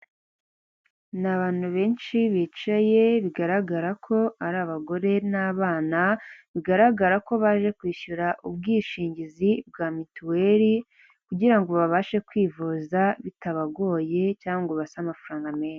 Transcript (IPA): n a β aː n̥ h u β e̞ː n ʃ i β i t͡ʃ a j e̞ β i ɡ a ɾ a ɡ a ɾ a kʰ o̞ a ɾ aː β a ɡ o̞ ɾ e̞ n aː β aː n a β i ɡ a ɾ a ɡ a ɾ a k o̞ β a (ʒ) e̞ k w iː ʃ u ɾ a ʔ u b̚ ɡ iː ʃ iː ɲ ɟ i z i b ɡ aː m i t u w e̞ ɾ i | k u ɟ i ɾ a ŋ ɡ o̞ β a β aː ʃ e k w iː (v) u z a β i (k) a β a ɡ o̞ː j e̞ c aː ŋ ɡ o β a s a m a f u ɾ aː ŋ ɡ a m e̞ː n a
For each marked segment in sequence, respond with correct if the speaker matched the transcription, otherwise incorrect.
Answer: correct, correct, incorrect: t

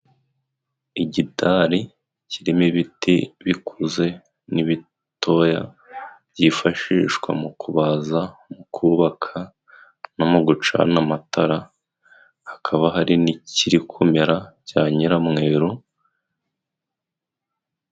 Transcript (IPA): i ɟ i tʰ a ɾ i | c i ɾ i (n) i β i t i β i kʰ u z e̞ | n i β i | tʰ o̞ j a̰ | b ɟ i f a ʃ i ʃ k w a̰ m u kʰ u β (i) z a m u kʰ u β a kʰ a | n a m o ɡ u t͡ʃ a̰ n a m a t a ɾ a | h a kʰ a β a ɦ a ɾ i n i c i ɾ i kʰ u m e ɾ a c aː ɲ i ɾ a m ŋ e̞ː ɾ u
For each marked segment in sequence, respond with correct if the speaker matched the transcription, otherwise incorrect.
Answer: incorrect: m, incorrect: a

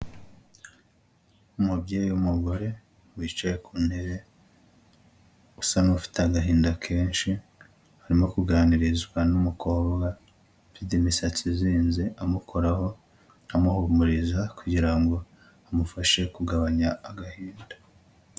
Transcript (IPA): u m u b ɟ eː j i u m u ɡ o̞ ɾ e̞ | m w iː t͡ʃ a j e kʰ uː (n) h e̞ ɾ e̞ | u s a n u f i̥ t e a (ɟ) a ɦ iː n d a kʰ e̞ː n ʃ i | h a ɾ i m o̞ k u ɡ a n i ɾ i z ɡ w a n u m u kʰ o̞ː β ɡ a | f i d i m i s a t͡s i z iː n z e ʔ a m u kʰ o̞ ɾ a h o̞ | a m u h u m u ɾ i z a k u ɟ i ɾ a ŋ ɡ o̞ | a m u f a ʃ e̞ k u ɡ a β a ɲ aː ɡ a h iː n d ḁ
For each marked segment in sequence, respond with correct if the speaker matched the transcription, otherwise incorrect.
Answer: correct, incorrect: ɡ

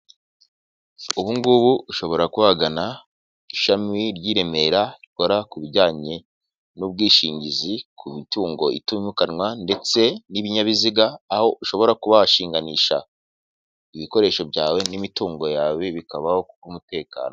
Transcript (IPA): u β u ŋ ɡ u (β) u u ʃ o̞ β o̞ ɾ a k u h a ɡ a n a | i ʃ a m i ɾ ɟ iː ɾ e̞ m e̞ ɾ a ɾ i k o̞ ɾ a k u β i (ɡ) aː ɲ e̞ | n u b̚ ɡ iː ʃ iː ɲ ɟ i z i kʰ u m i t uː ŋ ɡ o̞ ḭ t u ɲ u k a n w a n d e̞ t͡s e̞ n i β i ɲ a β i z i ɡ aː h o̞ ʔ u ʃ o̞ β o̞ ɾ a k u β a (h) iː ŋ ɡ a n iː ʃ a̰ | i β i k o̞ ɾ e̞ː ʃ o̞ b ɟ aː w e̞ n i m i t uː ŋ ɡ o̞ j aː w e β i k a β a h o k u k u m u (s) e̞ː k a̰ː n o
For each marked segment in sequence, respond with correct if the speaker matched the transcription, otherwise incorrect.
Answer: correct, incorrect: ɟ, incorrect: ʃ, incorrect: t

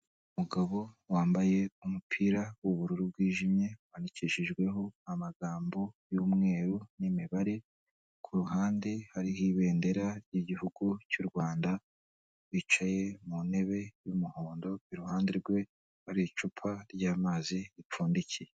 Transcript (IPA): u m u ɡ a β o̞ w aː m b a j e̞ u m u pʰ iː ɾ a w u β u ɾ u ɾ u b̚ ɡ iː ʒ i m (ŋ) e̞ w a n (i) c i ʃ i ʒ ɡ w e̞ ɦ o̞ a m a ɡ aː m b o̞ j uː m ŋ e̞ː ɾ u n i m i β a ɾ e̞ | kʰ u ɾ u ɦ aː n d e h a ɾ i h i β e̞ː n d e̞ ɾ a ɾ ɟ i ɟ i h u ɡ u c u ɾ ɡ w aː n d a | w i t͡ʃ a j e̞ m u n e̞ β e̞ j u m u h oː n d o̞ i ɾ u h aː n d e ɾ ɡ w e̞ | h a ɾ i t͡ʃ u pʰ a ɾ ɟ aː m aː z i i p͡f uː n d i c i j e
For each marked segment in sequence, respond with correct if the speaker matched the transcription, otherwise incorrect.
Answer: incorrect: ɲ, correct

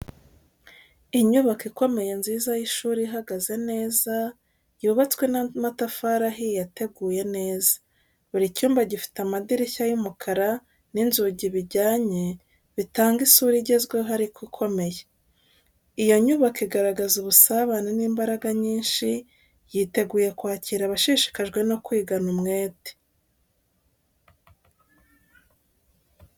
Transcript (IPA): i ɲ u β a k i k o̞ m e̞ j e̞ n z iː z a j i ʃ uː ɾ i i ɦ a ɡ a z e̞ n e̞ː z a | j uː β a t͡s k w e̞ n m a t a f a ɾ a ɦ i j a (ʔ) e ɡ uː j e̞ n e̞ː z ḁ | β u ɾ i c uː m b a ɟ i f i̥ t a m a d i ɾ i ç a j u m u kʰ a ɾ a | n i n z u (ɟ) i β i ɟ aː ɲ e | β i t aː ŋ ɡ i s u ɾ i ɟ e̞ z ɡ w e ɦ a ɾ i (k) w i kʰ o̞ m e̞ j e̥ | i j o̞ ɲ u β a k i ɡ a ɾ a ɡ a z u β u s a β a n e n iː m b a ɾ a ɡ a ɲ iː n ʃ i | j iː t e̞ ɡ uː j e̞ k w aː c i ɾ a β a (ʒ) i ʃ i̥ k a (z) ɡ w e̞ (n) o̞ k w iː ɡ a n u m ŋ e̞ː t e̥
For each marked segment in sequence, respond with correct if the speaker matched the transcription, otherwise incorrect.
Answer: incorrect: t, correct, correct, incorrect: ʃ, incorrect: ʒ, correct

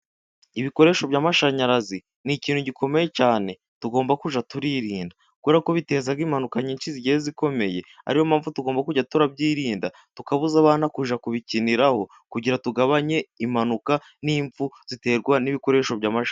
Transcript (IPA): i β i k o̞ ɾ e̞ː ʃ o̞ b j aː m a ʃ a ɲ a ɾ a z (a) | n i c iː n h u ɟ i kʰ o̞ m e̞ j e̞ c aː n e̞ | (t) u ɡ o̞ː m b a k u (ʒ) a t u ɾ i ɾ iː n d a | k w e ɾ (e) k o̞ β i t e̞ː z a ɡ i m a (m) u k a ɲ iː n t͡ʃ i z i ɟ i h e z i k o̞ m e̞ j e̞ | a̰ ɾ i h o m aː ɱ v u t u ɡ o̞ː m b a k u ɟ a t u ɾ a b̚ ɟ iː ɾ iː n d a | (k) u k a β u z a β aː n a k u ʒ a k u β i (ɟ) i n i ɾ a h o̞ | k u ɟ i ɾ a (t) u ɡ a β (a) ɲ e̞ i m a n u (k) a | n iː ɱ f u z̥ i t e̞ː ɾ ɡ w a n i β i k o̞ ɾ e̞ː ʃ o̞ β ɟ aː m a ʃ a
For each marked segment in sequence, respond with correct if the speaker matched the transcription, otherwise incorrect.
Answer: incorrect: i, correct, correct, incorrect: a, incorrect: n, incorrect: t, incorrect: c, correct, correct, correct

